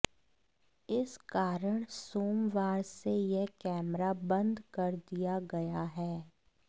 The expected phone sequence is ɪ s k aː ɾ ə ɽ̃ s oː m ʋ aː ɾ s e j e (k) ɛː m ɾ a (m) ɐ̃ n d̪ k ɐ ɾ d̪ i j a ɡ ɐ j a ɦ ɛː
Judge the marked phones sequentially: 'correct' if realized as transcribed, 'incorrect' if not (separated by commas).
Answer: correct, incorrect